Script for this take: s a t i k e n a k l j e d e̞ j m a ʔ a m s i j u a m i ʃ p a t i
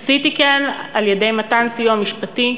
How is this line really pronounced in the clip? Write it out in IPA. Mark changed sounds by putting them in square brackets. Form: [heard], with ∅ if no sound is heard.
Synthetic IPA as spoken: s [i] t i k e n a [∅] l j e d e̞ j m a [t] a [n] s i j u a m i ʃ p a t i